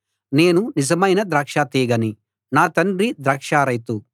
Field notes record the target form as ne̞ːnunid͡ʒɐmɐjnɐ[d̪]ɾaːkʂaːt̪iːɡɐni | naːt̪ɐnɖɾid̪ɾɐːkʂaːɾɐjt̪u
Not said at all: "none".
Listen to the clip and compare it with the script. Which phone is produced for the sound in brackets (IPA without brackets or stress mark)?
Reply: d̪